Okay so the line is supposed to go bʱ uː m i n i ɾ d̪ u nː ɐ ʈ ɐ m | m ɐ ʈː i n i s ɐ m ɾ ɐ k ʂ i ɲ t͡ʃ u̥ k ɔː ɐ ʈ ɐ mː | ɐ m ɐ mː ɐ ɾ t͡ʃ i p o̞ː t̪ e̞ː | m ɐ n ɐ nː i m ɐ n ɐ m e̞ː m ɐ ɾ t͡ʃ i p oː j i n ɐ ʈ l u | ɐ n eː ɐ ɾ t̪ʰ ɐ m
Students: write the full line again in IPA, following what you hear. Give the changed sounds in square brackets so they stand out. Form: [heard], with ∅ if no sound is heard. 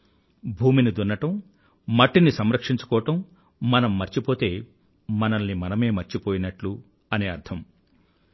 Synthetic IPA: bʱ uː m i n i [∅] d̪ u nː ɐ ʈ ɐ m | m ɐ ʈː i n i s ɐ m ɾ ɐ k ʂ i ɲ t͡ʃ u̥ k ɔː ɐ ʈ ɐ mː | ɐ [n] ɐ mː ɐ ɾ t͡ʃ i p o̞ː t̪ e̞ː | m ɐ n ɐ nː i m ɐ n ɐ m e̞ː m ɐ ɾ t͡ʃ i p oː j i n ɐ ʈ l u | ɐ n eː ɐ ɾ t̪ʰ ɐ m

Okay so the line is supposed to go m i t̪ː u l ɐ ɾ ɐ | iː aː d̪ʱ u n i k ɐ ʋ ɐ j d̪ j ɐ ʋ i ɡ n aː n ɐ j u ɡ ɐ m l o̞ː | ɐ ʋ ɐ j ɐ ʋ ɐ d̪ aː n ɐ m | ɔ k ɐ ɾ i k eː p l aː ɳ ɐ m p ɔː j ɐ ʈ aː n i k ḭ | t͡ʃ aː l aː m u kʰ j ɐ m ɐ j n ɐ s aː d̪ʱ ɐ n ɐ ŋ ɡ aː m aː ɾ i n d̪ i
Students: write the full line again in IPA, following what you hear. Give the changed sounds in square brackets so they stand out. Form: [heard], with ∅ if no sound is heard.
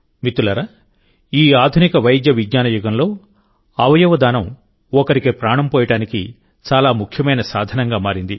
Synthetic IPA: m i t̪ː u l ɐ ɾ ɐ | iː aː d̪ʱ u n i k ɐ ʋ ɐ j d̪ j ɐ ʋ i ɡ [ɲ] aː n ɐ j u ɡ ɐ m l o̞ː | ɐ ʋ ɐ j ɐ ʋ ɐ d̪ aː n ɐ m | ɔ k ɐ ɾ i k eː p [ɾ] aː ɳ ɐ m p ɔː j ɐ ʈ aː n i k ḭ | t͡ʃ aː l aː m u kʰ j ɐ m ɐ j n ɐ s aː d̪ʱ ɐ n ɐ ŋ ɡ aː m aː ɾ i n d̪ i

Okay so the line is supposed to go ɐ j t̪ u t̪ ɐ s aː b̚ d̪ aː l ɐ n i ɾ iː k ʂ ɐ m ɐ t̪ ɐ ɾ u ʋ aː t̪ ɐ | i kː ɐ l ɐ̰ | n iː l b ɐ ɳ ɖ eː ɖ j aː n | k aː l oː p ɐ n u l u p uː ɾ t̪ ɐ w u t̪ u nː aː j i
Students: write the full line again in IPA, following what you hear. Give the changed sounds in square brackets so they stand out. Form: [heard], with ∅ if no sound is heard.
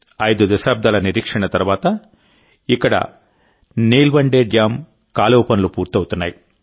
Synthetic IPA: ɐ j [d̪] u [d̪] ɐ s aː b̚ d̪ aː l ɐ n i ɾ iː k ʂ ɐ [ɳ] ɐ t̪ ɐ ɾ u ʋ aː t̪ ɐ | i kː ɐ [ɽ] ɐ̰ | n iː l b ɐ ɳ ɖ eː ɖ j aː [m] | k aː l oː p ɐ n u l u p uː ɾ t̪ ɐ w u t̪ u nː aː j i

